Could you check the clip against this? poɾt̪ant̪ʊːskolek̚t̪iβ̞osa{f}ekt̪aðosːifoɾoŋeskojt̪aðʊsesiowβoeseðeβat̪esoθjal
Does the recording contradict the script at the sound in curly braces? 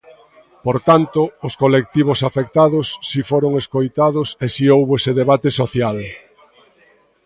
no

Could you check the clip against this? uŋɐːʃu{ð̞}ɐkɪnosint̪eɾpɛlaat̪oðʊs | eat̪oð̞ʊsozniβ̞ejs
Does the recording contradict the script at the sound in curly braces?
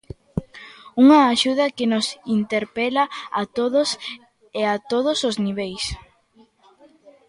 no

